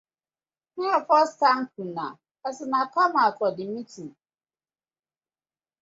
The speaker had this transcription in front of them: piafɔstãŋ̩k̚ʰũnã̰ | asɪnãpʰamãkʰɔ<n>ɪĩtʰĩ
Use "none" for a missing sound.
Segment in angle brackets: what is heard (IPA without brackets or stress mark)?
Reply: d